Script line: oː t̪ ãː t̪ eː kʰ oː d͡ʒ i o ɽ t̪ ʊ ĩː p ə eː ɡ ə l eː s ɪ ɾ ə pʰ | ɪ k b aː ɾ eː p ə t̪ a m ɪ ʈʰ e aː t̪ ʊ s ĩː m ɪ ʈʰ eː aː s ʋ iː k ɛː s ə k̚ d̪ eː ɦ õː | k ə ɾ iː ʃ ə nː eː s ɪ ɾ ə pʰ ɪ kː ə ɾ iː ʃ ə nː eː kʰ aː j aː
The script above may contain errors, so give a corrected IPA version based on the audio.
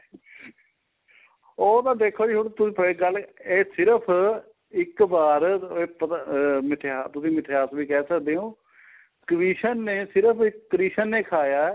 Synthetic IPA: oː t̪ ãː d̪ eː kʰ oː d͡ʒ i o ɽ t̪ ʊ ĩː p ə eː ɡ ə l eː s ɪ ɾ ə pʰ | ɪ k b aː ɾ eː p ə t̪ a m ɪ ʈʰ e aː t̪ ʊ s ĩː m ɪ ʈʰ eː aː s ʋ iː k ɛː s ə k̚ d̪ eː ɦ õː | k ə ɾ iː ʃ ə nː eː s ɪ ɾ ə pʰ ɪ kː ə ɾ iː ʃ ə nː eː kʰ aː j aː